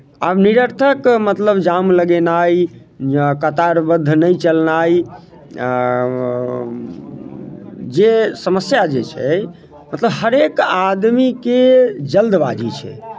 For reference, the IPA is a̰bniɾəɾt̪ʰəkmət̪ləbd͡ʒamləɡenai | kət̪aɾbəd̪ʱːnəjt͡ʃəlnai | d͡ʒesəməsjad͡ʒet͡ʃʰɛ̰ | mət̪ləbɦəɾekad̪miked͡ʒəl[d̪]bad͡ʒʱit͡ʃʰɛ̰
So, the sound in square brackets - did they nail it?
yes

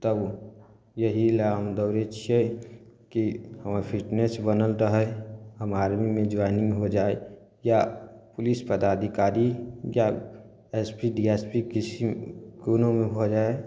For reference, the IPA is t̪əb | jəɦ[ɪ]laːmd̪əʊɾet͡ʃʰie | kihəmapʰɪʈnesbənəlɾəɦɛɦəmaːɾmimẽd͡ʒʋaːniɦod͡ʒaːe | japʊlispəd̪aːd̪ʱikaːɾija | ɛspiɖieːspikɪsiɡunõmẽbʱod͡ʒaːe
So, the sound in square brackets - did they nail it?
no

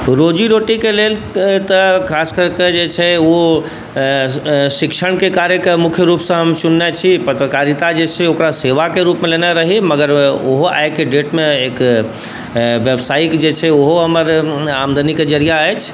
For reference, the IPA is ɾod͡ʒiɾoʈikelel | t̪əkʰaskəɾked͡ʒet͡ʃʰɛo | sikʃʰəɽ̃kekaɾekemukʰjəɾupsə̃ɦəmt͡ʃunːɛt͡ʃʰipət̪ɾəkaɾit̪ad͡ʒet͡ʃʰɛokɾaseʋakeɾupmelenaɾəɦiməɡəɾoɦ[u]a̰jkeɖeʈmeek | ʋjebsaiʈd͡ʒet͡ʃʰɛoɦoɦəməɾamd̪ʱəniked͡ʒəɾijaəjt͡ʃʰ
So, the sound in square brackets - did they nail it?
no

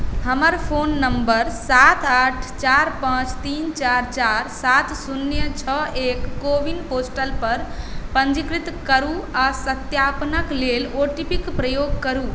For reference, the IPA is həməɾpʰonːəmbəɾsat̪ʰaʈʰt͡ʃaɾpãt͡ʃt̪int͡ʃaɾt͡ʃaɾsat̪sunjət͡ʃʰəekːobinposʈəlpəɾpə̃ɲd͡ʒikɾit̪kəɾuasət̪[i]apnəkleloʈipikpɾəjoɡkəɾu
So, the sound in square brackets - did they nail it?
no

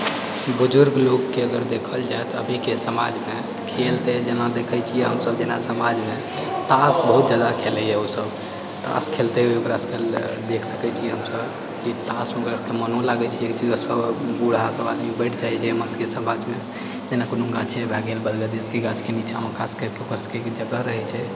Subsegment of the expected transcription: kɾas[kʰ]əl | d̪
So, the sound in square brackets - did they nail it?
no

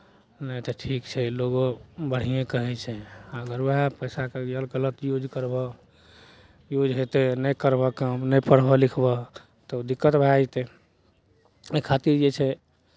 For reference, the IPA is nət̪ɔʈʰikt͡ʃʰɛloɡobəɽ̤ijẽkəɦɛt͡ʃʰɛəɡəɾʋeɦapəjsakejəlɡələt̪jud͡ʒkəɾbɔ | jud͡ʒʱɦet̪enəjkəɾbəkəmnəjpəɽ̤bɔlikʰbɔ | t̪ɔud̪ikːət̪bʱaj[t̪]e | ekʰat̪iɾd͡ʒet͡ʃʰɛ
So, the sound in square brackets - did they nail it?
yes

